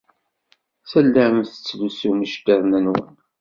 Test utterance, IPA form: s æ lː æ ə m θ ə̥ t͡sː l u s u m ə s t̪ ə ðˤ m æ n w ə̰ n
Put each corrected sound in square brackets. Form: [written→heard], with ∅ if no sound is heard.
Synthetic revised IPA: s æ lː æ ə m θ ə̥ t͡sː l u s u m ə [s→ʃ] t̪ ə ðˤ [m→n] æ n w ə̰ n

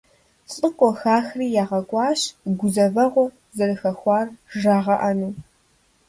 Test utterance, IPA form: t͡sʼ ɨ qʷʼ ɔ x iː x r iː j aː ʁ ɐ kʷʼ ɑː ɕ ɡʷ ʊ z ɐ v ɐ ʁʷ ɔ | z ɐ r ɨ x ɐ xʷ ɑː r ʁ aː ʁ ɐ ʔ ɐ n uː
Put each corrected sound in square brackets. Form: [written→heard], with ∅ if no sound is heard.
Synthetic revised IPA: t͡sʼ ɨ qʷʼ ɔ x [iː→aː] x r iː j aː ʁ ɐ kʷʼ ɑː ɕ ɡʷ ʊ z ɐ v ɐ ʁʷ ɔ | z ɐ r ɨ x ɐ xʷ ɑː r [ʁ→ʒ] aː ʁ ɐ ʔ ɐ n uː

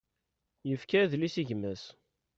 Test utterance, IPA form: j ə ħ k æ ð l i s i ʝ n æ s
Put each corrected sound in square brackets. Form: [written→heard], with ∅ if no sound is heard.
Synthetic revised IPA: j ə [ħ→f] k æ ð l i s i ʝ [n→m] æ s

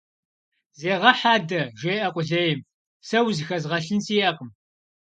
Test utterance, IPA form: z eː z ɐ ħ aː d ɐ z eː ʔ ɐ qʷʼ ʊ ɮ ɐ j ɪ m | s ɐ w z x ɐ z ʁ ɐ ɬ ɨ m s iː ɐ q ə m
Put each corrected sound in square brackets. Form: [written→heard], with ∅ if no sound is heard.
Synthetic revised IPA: z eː [z→ʁ] ɐ ħ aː d ɐ [z→ʒ] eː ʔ ɐ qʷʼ ʊ ɮ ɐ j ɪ m | s ɐ w z x ɐ z ʁ ɐ ɬ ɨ [m→n] s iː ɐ q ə m

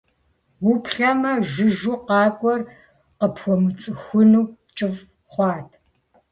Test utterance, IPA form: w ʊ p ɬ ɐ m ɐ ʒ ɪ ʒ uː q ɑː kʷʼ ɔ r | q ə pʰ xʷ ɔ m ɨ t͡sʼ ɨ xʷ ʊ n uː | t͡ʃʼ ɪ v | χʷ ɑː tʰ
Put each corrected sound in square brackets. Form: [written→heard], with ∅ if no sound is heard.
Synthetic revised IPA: w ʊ p ɬ ɐ m ɐ ʒ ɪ ʒ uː q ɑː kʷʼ ɔ r | q ə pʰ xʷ ɔ m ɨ t͡sʼ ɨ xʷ ʊ n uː | t͡ʃʼ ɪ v | χʷ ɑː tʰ

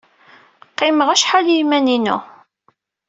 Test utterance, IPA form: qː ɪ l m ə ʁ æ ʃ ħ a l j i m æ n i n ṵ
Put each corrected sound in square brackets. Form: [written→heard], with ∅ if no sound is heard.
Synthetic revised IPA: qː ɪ [l→∅] m ə ʁ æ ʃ ħ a l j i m æ n i n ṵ

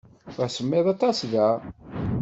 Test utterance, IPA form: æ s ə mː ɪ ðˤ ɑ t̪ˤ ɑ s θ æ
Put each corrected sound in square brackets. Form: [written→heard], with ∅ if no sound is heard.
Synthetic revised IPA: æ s ə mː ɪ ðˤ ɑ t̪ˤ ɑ s [θ→ð] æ

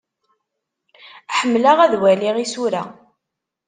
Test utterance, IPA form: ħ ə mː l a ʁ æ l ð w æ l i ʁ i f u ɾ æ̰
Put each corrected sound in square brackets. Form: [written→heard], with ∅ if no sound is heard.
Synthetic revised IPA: ħ ə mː l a ʁ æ [l→∅] ð w æ l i ʁ i [f→s] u ɾ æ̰

